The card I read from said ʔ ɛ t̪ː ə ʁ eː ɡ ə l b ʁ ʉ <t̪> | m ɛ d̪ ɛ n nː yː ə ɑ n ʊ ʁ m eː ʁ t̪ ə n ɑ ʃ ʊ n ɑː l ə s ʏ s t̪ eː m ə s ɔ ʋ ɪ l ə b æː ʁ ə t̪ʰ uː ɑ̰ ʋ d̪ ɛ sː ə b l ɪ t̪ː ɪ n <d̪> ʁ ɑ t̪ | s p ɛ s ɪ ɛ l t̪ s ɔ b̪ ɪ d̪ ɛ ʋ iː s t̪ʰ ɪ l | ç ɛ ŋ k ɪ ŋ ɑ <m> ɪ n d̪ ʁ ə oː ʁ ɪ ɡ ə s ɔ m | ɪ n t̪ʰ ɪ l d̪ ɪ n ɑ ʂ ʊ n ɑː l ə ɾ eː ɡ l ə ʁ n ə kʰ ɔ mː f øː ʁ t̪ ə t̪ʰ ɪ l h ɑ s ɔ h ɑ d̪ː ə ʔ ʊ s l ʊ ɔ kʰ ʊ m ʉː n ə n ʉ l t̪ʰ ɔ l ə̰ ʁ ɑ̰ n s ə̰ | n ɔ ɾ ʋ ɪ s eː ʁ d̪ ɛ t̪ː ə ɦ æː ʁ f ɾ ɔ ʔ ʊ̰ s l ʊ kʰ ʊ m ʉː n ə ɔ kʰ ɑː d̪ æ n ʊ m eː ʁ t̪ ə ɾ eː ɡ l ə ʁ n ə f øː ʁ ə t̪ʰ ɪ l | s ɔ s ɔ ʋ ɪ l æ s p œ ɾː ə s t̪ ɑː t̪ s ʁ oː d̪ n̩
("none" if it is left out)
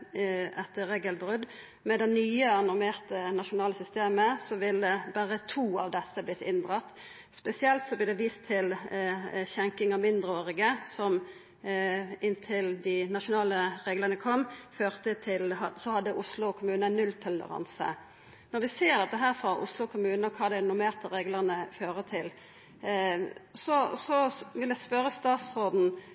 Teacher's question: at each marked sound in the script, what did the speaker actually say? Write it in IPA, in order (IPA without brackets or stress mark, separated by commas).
d̪, d̪, m